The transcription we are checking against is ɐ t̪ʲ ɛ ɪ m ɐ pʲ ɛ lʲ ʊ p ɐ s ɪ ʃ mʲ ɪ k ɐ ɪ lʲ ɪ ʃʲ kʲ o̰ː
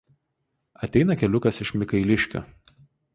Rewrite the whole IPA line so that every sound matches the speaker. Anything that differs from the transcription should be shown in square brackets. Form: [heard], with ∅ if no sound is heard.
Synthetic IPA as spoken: ɐ t̪ʲ ɛ ɪ [n] ɐ [kʲ] ɛ lʲ ʊ [k] ɐ s ɪ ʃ mʲ ɪ k ɐ ɪ lʲ ɪ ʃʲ kʲ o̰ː